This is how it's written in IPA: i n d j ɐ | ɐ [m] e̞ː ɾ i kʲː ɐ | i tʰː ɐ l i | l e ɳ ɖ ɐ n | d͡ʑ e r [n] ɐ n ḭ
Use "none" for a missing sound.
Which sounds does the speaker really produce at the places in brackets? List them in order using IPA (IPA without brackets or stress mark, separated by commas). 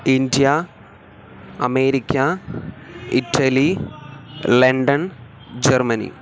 m, m